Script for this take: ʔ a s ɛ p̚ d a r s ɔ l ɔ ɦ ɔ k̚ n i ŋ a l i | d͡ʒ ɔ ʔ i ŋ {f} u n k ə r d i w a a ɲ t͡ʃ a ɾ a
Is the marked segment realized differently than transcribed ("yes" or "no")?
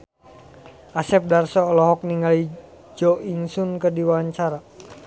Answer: yes